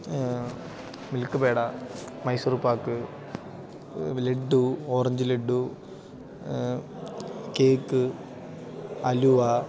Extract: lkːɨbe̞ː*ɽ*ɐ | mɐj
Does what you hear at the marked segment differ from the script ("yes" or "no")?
no